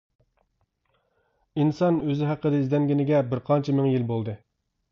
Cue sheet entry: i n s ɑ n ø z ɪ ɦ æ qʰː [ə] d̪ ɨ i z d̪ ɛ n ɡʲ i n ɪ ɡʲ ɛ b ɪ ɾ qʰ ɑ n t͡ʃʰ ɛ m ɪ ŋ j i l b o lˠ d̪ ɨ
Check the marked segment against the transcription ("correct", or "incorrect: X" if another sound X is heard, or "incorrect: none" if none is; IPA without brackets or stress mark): correct